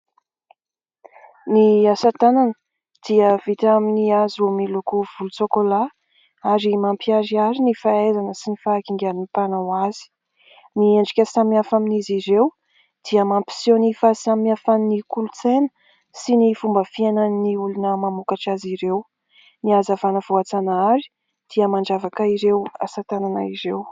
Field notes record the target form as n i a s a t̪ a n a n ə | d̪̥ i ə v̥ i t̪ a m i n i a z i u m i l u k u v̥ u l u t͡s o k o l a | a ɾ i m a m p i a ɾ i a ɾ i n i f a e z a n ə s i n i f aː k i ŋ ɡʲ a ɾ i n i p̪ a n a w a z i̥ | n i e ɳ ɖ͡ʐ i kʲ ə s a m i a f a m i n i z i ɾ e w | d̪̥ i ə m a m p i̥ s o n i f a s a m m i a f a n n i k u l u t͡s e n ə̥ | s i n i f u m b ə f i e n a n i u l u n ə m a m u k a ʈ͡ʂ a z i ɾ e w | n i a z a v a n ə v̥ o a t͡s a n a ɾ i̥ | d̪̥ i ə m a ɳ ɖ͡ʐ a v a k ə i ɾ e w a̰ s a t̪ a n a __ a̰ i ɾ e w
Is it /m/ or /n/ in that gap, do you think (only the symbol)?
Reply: n